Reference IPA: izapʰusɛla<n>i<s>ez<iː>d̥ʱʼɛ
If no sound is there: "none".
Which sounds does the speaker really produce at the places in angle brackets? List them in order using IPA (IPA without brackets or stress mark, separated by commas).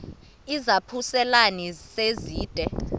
n, s, iː